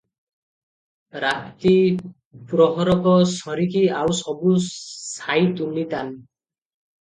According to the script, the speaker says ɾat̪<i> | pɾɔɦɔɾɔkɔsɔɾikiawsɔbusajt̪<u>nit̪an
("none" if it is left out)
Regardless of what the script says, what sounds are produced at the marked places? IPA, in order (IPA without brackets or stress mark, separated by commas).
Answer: i, u